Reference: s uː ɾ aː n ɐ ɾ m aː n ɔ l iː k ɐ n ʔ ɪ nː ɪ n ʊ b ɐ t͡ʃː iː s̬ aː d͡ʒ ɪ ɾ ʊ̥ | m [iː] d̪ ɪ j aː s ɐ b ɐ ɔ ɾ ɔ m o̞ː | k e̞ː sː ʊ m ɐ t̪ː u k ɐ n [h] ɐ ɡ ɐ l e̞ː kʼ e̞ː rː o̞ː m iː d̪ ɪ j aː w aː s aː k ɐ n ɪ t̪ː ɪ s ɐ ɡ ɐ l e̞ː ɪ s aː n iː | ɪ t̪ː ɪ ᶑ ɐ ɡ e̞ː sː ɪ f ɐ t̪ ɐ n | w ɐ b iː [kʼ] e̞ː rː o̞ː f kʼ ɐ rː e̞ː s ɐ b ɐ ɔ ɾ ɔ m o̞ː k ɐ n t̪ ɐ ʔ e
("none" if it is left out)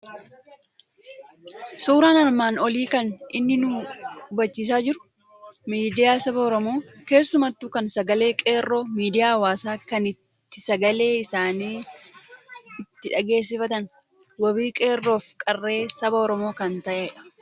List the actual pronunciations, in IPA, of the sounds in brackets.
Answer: iː, s, kʼ

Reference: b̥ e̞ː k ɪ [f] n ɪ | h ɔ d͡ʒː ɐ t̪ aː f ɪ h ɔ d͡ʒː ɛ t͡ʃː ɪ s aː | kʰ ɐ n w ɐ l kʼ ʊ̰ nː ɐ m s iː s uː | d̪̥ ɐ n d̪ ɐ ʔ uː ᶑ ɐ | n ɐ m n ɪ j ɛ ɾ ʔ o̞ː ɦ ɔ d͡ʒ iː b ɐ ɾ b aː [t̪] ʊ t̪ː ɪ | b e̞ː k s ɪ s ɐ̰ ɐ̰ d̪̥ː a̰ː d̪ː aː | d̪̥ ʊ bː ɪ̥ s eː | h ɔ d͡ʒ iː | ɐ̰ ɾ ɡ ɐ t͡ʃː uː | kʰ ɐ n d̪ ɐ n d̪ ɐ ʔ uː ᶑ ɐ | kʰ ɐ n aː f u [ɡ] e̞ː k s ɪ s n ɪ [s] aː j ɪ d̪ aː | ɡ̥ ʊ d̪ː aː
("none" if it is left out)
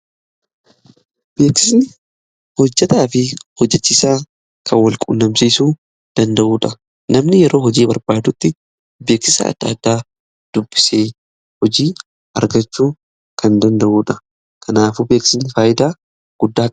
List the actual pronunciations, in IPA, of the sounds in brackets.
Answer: s, d̪, b, f

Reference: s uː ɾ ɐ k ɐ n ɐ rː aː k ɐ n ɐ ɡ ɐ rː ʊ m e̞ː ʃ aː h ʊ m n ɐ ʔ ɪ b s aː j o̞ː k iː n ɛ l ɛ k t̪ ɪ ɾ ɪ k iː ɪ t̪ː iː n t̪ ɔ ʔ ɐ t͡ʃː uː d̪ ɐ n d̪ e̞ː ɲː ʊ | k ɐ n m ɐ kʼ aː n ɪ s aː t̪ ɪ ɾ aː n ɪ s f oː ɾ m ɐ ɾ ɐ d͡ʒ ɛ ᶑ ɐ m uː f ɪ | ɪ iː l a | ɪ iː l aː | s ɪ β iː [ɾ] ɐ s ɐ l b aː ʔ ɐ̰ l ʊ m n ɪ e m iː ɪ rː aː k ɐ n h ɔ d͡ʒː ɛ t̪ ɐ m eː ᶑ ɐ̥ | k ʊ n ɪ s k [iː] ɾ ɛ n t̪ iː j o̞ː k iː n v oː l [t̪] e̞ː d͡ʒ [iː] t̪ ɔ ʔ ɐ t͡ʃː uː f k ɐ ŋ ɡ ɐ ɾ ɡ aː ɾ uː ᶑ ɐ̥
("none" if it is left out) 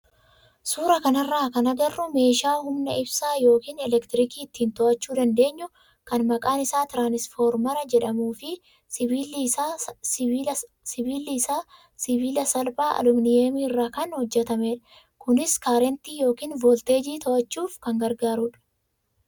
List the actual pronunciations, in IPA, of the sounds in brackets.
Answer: l, aː, t̪, iː

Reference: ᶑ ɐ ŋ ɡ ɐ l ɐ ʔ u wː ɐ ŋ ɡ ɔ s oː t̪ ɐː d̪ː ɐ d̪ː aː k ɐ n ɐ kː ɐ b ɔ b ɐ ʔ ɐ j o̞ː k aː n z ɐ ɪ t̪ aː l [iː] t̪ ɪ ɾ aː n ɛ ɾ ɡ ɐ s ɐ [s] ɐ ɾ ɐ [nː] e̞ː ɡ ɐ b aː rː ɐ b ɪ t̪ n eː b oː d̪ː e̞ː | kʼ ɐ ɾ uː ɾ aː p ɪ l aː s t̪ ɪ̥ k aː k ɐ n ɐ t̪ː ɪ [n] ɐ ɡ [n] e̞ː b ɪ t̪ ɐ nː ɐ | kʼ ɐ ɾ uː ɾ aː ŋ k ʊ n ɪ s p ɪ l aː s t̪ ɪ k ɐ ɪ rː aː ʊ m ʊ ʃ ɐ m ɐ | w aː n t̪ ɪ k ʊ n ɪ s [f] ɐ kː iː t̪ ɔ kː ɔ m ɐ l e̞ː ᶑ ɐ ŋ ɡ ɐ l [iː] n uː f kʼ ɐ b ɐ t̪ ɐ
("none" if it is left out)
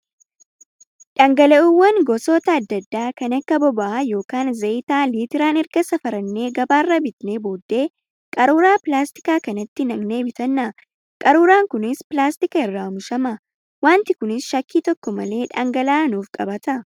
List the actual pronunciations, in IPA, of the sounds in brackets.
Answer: iː, f, nː, n, n, ʃ, aː

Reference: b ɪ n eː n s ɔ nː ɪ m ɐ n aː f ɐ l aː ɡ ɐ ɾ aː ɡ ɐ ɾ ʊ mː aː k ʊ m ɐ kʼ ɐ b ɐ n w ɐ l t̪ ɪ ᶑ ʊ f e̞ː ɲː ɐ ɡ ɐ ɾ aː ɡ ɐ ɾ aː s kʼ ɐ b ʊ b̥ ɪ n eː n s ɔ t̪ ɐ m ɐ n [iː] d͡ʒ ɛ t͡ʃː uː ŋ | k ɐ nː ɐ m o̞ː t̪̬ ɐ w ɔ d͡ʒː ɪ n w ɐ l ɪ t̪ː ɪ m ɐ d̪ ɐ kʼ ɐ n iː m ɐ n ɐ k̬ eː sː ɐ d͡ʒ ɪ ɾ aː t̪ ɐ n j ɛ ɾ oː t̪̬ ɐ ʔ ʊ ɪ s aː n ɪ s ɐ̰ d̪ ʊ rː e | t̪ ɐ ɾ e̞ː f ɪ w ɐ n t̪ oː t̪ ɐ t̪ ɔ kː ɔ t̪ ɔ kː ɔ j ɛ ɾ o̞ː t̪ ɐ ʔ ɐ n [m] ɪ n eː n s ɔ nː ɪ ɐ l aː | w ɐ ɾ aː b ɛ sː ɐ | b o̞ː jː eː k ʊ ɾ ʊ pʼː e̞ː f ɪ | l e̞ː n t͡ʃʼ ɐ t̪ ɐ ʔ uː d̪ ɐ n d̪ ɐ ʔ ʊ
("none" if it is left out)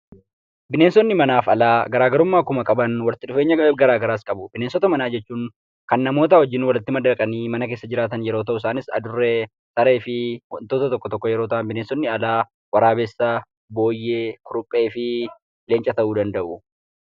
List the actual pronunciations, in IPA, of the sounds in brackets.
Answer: aː, b

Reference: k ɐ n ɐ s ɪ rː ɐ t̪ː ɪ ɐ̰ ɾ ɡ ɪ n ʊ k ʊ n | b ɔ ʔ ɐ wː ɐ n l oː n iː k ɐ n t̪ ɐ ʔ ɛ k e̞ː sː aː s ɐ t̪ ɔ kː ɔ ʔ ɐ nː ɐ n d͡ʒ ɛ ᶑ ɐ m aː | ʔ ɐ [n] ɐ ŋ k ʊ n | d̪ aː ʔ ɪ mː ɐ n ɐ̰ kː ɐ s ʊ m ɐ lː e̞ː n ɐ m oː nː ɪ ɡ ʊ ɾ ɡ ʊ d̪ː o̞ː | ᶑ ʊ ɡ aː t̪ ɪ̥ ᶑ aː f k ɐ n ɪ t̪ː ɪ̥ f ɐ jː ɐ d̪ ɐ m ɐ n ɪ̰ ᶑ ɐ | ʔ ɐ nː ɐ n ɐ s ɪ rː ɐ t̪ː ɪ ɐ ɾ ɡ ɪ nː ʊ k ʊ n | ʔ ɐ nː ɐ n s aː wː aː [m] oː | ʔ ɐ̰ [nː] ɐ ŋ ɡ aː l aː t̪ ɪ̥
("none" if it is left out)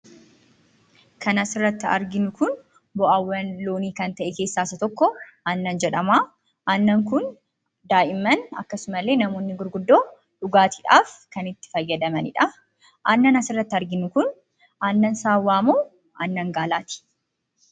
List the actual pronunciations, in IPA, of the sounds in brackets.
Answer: nː, m, nː

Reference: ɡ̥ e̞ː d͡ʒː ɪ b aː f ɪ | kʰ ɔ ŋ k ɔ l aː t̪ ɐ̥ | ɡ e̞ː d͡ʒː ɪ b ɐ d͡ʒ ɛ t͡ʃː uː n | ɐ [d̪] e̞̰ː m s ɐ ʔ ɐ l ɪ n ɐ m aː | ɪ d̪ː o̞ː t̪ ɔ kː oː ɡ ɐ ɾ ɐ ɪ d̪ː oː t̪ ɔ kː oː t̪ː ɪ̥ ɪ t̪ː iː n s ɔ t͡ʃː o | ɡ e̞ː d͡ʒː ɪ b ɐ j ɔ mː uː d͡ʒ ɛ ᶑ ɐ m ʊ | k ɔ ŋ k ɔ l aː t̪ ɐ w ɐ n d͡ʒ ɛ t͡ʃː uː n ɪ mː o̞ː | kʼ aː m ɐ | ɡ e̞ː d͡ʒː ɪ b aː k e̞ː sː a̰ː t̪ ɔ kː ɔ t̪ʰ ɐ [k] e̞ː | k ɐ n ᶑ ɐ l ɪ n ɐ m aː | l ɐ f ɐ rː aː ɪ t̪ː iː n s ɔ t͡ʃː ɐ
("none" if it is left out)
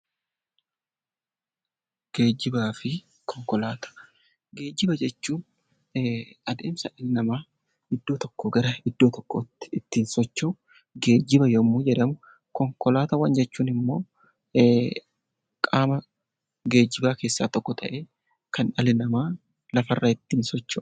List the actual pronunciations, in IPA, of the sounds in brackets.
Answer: d̪, ʔ

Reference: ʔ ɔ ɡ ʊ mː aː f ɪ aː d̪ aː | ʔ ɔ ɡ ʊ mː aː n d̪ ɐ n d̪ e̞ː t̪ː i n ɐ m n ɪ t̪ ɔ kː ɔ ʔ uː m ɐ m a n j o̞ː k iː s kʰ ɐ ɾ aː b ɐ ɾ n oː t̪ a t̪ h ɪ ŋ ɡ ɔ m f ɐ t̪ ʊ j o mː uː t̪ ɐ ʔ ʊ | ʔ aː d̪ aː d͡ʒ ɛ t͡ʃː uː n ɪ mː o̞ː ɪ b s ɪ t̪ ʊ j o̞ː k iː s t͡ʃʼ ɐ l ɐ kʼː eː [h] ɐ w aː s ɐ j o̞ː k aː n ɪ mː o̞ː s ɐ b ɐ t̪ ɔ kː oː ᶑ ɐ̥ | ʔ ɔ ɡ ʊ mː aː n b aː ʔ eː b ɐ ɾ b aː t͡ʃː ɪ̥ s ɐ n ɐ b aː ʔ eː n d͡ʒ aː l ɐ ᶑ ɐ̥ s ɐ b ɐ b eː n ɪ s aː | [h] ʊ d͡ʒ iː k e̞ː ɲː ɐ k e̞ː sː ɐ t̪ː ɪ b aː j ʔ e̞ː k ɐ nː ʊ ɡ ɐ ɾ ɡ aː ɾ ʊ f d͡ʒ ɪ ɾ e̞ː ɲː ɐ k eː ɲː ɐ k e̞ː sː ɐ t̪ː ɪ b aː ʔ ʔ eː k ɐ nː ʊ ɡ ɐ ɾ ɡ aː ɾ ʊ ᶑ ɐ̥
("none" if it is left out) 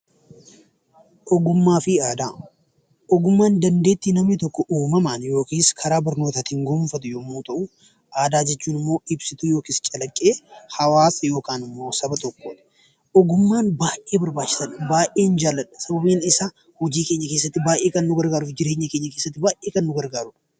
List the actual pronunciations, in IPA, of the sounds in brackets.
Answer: h, h

